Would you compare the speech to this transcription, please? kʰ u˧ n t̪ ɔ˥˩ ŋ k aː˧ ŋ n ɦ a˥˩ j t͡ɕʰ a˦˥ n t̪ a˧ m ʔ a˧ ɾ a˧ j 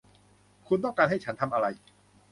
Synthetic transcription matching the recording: kʰ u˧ n t̪ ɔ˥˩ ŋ k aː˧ n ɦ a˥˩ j t͡ɕʰ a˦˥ n t̪ʰ a˧ m ʔ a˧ ɾ a˧ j